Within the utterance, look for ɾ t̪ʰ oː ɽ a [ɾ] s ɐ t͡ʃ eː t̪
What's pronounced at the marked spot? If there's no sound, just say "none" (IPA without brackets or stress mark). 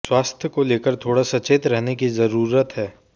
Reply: none